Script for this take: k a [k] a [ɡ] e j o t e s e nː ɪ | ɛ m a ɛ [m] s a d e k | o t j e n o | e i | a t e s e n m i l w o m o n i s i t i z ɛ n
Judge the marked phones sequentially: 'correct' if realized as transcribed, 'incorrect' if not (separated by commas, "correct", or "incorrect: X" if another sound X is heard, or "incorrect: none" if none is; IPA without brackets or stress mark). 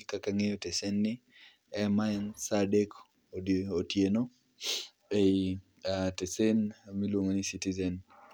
correct, incorrect: ŋ, incorrect: n